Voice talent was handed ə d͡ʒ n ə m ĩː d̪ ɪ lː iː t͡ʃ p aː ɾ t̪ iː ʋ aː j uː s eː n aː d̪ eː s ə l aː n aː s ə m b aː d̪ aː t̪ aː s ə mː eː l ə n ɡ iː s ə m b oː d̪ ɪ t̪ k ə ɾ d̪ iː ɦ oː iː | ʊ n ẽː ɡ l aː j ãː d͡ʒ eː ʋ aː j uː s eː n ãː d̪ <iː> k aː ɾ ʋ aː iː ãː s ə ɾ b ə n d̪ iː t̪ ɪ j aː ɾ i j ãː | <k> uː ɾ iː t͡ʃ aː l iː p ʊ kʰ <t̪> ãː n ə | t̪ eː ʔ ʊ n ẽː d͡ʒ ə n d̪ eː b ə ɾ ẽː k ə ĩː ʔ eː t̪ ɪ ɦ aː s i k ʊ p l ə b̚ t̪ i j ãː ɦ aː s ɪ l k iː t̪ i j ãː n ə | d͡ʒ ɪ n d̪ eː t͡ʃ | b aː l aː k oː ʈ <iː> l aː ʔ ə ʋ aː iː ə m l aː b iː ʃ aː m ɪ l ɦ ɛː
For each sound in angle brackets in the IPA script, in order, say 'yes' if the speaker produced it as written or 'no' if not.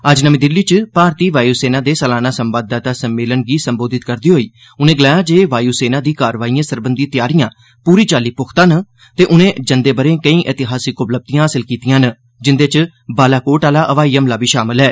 yes, no, yes, no

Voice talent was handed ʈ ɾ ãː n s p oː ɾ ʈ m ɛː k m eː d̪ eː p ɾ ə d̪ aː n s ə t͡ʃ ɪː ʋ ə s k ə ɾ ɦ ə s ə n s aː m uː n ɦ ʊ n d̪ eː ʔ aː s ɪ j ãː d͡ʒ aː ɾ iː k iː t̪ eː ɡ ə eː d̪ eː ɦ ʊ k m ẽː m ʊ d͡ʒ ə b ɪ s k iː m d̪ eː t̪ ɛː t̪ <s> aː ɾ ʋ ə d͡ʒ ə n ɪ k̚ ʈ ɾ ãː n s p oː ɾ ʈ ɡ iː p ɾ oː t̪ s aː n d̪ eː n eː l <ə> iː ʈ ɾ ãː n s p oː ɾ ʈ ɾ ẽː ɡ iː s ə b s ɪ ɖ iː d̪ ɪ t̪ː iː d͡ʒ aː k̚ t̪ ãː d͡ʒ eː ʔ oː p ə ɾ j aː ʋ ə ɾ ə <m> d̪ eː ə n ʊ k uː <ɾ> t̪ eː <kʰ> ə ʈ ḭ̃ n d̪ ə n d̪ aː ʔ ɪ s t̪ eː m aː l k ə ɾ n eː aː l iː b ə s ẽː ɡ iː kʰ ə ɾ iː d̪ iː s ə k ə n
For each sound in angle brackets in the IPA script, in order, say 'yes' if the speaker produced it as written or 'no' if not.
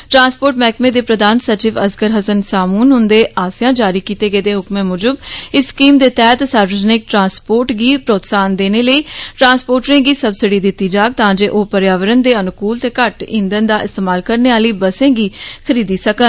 yes, yes, no, no, no

